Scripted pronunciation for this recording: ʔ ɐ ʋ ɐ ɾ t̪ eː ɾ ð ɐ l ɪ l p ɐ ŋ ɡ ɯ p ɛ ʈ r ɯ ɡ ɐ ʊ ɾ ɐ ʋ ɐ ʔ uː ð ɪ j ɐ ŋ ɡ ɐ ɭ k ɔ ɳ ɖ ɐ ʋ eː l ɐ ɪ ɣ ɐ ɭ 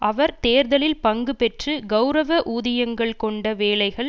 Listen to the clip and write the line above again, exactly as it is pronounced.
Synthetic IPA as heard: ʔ ɐ ʋ ɐ ɾ t̪ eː ɾ ð ɐ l ɪ l p ɐ ŋ ɡ ɯ p ɛ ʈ r ɯ ɡ ɐ ʊ ɾ ɐ ʋ ɐ ʔ uː ð ɪ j ɐ ŋ ɡ ɐ ɭ k ɔ ɳ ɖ ɐ ʋ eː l ɐ ɪ ɣ ɐ ɭ